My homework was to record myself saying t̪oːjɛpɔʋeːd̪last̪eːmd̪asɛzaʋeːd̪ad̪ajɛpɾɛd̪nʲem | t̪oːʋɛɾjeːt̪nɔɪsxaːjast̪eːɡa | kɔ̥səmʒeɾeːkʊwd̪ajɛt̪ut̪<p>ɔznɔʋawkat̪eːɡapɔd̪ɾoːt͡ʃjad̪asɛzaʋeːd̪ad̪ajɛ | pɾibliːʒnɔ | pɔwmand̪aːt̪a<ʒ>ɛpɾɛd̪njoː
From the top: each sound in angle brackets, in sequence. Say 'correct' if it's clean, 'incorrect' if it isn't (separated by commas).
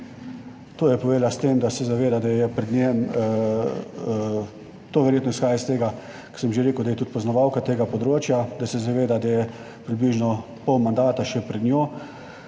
correct, incorrect